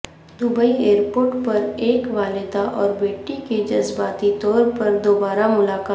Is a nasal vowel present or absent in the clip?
absent